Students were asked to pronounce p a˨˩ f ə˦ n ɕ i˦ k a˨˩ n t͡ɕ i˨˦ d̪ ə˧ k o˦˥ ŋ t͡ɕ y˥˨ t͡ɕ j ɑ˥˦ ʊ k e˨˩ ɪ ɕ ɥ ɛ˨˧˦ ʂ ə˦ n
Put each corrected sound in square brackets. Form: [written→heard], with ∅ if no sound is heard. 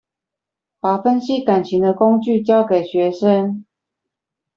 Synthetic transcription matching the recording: p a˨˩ f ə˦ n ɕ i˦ k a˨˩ n [t͡ɕ→t͡ɕʰ] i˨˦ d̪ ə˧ k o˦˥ ŋ t͡ɕ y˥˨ t͡ɕ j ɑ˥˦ ʊ k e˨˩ ɪ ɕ ɥ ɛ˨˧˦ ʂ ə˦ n